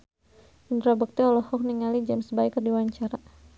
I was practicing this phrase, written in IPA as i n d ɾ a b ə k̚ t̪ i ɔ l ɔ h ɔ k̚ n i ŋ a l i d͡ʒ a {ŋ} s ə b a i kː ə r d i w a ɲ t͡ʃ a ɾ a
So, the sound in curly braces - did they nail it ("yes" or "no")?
no